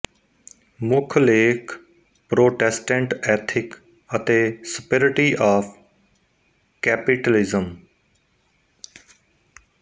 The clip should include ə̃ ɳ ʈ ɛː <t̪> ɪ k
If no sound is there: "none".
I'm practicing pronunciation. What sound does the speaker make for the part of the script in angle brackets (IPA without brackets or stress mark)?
t̪ʰ